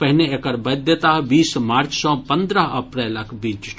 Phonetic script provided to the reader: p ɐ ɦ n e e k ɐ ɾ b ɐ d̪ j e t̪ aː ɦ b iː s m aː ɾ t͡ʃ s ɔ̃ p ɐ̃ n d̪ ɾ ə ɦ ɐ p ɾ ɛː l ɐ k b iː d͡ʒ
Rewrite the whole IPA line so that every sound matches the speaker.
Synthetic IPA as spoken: p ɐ ɦ n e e k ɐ ɾ b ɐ d̪ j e t̪ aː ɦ b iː s m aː ɾ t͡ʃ s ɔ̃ p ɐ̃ n d̪ ɾ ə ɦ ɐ p ɾ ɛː l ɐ k b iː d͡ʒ

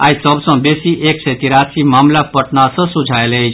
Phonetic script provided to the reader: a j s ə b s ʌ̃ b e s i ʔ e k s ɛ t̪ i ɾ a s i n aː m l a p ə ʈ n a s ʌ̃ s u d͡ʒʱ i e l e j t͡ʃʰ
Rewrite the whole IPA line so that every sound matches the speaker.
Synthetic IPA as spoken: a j s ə b s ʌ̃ b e s i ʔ e k s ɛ t̪ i ɾ a s i m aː m l a p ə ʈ n a s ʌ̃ s u d͡ʒʱ a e l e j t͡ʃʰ

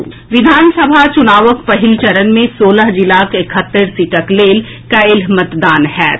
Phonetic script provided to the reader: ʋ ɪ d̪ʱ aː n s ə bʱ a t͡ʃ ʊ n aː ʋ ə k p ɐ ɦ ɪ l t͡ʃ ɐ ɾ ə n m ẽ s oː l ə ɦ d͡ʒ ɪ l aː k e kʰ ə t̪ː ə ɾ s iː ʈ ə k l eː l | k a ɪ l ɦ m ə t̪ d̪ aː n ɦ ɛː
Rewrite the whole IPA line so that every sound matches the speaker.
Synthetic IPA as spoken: ʋ ɪ d̪ʱ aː n s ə bʱ a t͡ʃ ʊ n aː ʋ ə k p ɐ ɦ ɪ l t͡ʃ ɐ ɾ ə n m ẽ s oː l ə ɦ d͡ʒ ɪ l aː k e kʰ ə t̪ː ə ɾ s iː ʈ ə k l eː l | k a ɪ l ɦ m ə t̪ d̪ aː n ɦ ɛː

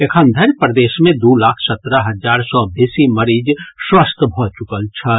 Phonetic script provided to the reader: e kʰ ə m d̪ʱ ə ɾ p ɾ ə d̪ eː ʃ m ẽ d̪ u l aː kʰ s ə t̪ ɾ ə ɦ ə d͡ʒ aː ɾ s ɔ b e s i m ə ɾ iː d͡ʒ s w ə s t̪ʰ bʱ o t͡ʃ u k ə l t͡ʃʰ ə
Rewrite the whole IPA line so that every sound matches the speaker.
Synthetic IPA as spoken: e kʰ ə n d̪ʱ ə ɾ p ɾ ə d̪ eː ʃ m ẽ d̪ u l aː kʰ s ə t̪ ɾ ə ɦ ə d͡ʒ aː ɾ s ɔ b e s i m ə ɾ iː d͡ʒ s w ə s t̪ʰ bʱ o t͡ʃ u k ə l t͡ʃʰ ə

